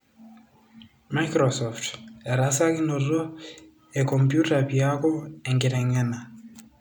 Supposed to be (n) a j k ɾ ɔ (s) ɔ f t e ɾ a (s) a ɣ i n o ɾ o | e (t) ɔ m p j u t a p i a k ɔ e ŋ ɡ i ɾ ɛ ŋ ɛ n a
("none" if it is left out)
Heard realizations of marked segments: m, s, s, k

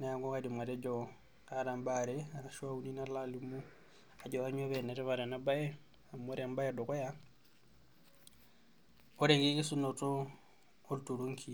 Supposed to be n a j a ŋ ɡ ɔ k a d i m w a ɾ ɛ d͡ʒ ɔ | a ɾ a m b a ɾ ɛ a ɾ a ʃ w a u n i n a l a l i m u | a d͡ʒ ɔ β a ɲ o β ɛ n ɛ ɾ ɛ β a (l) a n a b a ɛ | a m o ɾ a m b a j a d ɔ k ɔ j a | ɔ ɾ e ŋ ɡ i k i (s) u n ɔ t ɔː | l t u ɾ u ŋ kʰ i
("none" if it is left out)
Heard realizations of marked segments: ɾ, s

